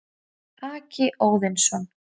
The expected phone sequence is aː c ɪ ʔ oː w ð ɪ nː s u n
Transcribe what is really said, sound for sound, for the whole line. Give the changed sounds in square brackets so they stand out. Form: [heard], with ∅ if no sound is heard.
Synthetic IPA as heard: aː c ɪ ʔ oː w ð ɪ [n] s [ɔ] n

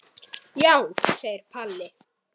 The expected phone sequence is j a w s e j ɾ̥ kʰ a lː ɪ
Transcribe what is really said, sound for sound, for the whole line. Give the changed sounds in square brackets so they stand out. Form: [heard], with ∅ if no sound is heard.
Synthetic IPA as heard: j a w s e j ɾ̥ [pʰ] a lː ɪ

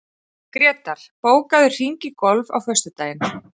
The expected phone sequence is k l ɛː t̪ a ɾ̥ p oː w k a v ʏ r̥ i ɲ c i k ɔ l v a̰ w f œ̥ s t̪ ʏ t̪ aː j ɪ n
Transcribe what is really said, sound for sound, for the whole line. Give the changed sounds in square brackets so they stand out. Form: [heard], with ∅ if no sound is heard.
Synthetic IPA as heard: k [ɾ] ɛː t̪ a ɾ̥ p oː w k a [ð] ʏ r̥ i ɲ c [ɪ] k ɔ l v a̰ w f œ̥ s t̪ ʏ t̪ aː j ɪ n

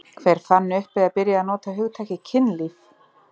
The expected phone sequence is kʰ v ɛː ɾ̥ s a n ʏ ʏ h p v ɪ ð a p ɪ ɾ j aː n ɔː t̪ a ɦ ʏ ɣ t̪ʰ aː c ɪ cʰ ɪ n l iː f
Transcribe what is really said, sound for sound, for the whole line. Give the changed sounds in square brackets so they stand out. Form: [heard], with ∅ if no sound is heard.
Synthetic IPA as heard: kʰ v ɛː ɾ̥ [f] a [nː] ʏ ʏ h p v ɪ ð a p ɪ ɾ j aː n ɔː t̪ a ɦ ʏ ɣ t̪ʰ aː c ɪ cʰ ɪ n l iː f

